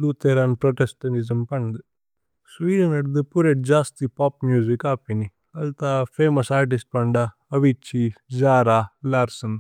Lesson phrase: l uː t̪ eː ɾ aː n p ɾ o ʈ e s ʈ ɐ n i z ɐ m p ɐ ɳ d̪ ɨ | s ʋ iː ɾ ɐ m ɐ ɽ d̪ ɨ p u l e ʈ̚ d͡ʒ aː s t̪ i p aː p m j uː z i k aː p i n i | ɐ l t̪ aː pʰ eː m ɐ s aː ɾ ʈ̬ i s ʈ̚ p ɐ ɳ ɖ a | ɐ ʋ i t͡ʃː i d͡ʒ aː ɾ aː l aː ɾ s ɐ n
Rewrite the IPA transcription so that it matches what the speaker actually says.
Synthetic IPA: l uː t̪ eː ɾ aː n p ɾ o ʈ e s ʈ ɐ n i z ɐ m p ɐ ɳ d̪ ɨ | s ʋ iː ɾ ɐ n ɐ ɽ d̪ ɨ p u ɾ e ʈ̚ d͡ʒ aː s t̪ i p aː p m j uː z i k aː p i n i | ɐ l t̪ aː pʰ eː m ɐ s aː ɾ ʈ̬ i s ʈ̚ p ɐ ɳ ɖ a | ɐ ʋ i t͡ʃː i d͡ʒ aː ɾ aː l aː ɾ s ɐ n